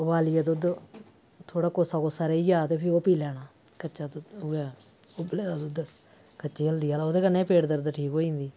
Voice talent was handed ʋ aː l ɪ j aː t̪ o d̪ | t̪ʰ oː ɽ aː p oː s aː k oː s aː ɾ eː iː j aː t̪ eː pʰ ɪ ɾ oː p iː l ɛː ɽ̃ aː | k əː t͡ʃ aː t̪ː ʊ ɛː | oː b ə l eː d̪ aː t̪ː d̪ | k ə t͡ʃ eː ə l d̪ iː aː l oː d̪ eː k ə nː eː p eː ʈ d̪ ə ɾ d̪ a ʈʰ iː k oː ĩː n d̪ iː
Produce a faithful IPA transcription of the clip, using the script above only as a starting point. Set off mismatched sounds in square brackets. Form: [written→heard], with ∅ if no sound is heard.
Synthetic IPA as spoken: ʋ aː l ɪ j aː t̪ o d̪ | t̪ʰ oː ɽ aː [p→k] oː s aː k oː s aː ɾ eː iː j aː t̪ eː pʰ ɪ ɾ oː p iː l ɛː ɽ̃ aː | k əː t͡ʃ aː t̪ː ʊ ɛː | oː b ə l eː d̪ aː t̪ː d̪ | k ə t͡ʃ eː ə l d̪ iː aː l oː d̪ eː k ə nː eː p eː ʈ d̪ ə ɾ d̪ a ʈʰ iː k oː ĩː n d̪ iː